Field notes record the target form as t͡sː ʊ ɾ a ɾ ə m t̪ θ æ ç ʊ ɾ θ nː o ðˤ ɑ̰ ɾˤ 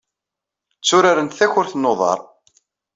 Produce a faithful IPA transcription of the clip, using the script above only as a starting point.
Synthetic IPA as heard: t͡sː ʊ ɾ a ɾ ə n t̪ θ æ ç ʊ ɾ θ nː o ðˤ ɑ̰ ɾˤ